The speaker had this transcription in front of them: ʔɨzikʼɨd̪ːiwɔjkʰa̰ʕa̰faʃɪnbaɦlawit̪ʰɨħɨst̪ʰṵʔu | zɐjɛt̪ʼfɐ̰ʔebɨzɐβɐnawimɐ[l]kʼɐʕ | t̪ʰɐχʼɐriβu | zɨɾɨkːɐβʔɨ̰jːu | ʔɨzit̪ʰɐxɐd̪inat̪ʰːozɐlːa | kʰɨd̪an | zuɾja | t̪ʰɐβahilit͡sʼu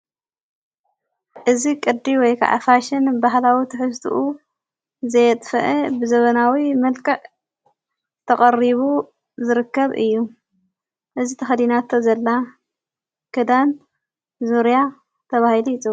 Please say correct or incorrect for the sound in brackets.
correct